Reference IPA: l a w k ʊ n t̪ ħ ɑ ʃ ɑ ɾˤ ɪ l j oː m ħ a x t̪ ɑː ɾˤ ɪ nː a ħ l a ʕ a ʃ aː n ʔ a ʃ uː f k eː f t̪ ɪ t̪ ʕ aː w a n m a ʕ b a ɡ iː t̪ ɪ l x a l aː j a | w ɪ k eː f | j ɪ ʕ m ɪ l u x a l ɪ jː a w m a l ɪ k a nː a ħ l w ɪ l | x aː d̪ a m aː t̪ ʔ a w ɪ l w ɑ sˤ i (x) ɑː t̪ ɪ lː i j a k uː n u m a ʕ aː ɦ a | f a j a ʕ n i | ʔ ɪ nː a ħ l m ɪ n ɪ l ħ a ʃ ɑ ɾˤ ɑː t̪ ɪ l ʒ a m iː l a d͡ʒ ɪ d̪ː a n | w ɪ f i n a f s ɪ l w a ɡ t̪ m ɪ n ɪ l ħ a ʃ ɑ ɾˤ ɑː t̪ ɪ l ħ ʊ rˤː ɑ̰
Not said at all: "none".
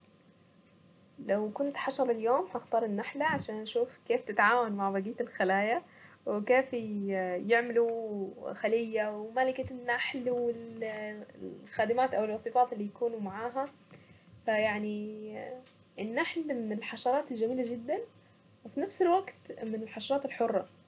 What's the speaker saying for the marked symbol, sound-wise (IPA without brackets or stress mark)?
f